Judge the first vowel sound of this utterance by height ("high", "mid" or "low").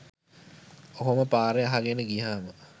mid